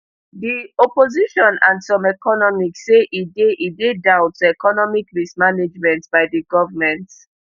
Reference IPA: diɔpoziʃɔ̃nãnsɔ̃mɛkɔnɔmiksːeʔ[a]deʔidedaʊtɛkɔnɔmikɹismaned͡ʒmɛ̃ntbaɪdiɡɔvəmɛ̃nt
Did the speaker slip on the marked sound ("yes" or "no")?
yes